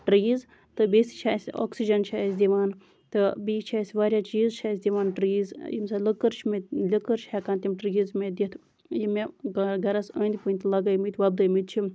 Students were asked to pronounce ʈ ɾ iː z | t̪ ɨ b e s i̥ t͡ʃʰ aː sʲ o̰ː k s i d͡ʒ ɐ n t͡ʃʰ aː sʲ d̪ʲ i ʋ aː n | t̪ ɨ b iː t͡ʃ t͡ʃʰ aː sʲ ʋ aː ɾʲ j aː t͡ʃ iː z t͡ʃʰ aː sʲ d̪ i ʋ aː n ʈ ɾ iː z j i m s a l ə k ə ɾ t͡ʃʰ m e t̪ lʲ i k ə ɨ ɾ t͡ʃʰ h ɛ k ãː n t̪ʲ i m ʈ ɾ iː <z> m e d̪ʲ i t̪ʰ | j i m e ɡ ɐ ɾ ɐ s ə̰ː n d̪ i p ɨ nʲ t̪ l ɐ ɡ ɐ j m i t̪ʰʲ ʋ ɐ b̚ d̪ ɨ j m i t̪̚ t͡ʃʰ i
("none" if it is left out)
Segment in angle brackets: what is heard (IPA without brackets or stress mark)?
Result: z